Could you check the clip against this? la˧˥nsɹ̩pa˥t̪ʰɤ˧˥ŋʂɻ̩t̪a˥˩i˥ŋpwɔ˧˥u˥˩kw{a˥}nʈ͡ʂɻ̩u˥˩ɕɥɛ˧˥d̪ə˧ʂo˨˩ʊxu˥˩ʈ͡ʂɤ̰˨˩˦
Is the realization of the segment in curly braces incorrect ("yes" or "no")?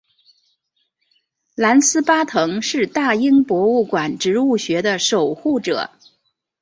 yes